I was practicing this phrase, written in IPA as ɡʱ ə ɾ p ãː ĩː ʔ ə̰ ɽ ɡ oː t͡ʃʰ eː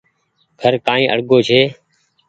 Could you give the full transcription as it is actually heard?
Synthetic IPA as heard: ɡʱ ə ɾ k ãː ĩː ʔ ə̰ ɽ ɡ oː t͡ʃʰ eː